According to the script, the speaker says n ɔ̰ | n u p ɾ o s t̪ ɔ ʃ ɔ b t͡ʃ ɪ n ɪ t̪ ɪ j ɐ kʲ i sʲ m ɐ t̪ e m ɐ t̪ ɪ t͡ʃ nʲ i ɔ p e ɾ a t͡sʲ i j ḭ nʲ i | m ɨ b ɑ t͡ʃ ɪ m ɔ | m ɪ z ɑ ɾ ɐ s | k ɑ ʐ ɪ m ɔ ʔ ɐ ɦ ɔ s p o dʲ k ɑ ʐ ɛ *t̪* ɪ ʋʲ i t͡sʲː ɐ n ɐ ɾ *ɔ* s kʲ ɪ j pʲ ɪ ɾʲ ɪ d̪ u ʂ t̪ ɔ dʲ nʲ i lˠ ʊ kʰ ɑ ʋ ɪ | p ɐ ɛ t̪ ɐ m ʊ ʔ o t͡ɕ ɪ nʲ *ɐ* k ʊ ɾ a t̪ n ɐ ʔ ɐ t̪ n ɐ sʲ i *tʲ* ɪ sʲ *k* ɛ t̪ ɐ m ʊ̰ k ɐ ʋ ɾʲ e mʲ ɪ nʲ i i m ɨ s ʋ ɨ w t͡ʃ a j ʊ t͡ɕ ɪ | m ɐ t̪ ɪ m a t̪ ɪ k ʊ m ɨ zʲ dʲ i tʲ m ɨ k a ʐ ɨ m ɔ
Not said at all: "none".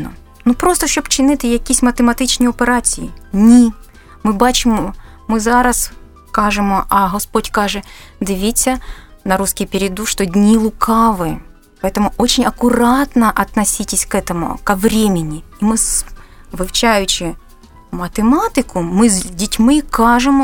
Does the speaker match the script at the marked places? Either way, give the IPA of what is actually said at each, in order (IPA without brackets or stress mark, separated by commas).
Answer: d̪, u, ɐ, tʲ, k